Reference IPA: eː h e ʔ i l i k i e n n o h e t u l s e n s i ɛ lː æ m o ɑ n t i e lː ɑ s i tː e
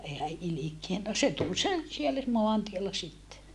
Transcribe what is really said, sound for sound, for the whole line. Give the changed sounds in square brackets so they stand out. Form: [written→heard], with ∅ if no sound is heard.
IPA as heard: eː h [e→æ] ʔ i l i k i e n n o [h→s] e t u l s e n s i [ɛ→e] lː æ m o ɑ n t i e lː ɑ s i tː e